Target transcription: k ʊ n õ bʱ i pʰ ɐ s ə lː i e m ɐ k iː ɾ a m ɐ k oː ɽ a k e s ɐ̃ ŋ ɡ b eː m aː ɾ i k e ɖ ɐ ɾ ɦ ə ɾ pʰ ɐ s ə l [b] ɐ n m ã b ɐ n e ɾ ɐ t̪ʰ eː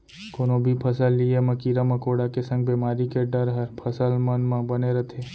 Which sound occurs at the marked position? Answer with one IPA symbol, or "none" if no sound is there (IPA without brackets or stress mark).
m